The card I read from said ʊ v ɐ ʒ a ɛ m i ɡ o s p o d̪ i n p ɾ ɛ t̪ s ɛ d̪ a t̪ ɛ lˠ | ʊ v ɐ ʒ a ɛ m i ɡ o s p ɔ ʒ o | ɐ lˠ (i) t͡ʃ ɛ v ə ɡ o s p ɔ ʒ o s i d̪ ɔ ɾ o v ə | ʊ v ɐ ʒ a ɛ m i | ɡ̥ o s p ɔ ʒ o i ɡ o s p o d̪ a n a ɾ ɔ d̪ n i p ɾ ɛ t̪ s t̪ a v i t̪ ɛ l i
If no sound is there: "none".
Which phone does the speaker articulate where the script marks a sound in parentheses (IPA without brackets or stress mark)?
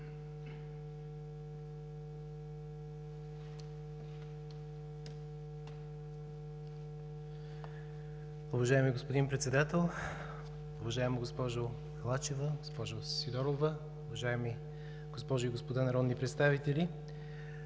a